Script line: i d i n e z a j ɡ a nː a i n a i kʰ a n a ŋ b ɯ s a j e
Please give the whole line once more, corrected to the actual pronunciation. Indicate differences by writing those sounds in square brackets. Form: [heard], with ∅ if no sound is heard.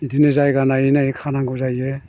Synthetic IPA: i d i n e z a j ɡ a [n] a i n a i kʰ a n a ŋ [ɡ] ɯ [z] a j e

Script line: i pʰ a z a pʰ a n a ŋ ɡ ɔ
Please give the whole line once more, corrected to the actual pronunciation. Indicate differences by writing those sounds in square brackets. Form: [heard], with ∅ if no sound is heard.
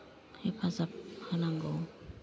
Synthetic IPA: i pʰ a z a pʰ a n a ŋ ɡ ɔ

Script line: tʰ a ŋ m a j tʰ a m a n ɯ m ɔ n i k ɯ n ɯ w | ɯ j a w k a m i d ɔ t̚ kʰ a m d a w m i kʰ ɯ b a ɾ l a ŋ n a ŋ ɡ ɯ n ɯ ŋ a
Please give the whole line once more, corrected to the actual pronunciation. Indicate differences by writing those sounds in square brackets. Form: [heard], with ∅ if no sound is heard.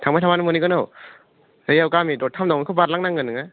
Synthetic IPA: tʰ a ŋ m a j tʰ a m a n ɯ m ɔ n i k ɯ n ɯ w | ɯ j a w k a m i d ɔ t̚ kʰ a m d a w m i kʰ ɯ b a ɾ l a ŋ n a ŋ ɡ ɯ n ɯ ŋ a

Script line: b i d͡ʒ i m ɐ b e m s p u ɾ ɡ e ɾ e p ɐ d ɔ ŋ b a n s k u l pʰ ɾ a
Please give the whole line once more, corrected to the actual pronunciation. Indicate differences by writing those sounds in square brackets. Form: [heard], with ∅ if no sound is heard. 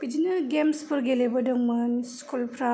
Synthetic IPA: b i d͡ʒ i [n] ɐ [ɡ] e m s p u ɾ ɡ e [l] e [b] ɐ d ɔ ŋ [m] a n s k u l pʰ ɾ a

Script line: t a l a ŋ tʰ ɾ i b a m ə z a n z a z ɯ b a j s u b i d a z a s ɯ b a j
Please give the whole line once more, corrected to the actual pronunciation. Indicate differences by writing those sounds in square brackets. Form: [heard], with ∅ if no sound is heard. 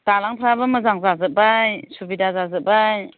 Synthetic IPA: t a l a ŋ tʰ ɾ [a] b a m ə z a [ŋ] z a z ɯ b a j s u b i d a z a [z] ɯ b a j

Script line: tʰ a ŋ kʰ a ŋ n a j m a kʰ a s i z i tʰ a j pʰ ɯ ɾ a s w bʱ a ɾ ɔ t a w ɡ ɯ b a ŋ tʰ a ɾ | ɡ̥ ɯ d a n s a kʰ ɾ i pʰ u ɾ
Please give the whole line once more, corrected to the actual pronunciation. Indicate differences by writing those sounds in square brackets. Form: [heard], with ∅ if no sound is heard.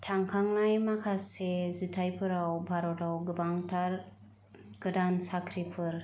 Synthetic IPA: tʰ a ŋ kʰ a ŋ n a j m a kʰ a s [e] z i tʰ a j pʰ ɯ ɾ a [∅] w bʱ a ɾ ɔ t a w ɡ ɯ b a ŋ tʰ a ɾ | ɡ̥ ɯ d a n s a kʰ ɾ i pʰ [ɯ] ɾ

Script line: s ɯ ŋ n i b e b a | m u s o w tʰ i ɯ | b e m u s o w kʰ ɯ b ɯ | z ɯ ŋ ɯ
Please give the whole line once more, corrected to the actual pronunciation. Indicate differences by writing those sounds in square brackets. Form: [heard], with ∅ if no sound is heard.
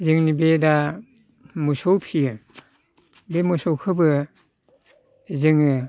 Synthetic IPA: [z] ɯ ŋ n i b e [d] a | m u s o w [pʰ] i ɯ | b e m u s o w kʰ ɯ b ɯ | z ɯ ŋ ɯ

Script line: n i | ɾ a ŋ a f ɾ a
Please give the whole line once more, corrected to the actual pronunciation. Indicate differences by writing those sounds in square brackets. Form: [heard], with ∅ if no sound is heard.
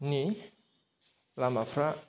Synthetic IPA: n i | [l] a [m] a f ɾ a

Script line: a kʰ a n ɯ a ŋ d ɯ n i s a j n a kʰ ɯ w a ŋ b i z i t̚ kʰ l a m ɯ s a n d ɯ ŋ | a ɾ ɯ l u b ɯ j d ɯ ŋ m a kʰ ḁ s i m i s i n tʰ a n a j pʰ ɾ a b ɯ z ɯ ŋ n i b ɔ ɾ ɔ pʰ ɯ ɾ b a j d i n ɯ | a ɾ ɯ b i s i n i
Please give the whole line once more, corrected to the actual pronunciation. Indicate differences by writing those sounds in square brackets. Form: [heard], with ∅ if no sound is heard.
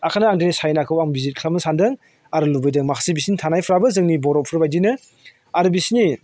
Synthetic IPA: a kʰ a n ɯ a ŋ d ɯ n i s a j n a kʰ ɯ w a ŋ b i z i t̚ kʰ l a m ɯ s a n d ɯ ŋ | a ɾ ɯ l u b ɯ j d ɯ ŋ m a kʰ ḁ s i [b] i s i n tʰ a n a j pʰ ɾ a b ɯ z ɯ ŋ n i b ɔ ɾ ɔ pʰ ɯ ɾ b a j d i n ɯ | a ɾ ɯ b i s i n i

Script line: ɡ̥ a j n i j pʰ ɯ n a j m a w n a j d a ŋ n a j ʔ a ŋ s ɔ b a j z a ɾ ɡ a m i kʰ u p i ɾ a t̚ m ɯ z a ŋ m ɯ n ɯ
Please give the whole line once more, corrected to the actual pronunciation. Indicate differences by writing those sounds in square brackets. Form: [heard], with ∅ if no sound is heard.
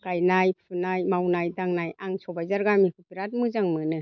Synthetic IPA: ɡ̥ a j n [a] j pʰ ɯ n a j m a w n a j d a ŋ n a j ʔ a ŋ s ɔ b a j z a ɾ ɡ a m i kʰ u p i ɾ a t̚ m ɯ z a ŋ m ɯ n ɯ

